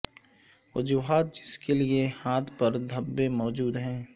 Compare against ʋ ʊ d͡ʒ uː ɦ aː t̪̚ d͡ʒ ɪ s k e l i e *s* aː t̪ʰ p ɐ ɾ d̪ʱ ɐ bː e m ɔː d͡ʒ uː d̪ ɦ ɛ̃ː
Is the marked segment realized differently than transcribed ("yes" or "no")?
yes